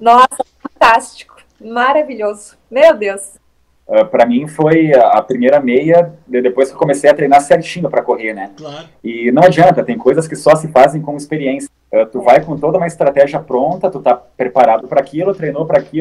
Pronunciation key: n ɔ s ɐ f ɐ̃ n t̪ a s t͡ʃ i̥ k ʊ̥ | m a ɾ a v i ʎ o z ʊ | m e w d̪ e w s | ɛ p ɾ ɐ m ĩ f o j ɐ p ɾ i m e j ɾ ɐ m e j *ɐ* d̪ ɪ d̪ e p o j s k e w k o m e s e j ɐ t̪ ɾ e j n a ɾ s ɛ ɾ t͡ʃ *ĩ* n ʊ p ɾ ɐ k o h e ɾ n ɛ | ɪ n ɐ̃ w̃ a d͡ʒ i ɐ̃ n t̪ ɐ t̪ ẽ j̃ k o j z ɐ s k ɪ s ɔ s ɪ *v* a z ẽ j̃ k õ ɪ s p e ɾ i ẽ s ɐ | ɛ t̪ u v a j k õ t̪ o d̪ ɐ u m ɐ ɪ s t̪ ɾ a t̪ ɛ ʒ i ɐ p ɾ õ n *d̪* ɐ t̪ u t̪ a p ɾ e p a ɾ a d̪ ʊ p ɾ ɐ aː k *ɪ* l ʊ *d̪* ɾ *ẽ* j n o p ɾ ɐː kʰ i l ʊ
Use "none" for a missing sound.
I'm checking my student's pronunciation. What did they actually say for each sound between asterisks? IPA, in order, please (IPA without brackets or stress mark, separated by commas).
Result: ɐ, ĩ, f, t̪, i, t̪, e